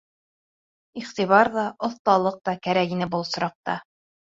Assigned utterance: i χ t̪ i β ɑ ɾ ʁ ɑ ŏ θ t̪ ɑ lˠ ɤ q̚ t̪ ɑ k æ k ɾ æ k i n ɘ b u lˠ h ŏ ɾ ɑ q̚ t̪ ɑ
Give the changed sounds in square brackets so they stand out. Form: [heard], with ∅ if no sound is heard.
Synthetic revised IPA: i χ t̪ i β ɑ ɾ [ð] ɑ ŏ θ t̪ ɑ lˠ ɤ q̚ t̪ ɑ k æ [∅] ɾ æ k i n ɘ b u lˠ [s] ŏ ɾ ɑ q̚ t̪ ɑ